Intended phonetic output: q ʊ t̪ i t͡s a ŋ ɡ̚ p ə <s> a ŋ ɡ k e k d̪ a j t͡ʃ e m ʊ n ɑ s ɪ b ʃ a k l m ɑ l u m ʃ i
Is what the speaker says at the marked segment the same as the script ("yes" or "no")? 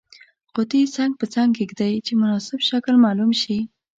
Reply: no